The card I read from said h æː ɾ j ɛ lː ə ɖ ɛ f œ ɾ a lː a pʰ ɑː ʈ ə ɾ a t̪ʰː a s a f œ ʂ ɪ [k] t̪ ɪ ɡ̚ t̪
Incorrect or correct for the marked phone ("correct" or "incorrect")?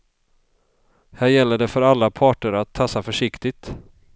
correct